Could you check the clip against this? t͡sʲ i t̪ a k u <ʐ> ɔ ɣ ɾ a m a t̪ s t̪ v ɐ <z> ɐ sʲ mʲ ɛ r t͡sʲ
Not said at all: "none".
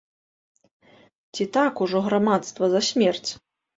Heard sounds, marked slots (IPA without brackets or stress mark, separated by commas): ʐ, z